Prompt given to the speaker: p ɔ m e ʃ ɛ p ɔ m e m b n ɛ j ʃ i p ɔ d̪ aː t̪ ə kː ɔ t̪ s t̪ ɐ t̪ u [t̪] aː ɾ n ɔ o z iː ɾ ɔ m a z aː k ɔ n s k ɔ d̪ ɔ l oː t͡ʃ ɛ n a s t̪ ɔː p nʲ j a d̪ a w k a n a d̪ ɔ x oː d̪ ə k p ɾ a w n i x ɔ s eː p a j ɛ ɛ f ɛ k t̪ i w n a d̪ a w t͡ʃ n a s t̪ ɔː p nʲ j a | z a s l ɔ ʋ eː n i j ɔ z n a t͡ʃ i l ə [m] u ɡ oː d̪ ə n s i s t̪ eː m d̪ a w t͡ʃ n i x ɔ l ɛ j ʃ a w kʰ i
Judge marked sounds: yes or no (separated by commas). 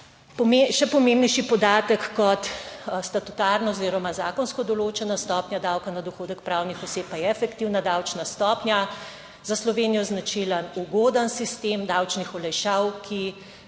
yes, no